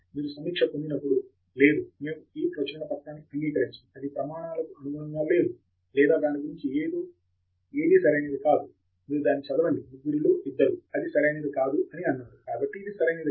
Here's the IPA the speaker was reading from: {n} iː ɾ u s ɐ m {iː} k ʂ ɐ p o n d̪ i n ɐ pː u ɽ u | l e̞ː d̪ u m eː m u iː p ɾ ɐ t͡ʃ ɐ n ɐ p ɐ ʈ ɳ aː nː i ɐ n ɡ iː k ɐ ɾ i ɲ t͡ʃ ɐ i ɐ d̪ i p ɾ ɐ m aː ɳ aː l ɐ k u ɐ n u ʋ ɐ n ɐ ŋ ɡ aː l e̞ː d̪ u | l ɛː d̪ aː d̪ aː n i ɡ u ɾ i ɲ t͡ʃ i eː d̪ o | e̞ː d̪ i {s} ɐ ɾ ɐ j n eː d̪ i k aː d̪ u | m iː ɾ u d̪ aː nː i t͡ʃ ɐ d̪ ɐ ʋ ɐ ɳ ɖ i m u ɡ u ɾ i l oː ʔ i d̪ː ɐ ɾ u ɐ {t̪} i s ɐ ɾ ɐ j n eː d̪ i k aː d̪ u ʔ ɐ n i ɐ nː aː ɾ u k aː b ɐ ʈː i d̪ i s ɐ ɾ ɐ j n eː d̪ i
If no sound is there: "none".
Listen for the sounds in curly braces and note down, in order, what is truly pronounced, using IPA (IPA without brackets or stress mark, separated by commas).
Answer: m, iː, s, d̪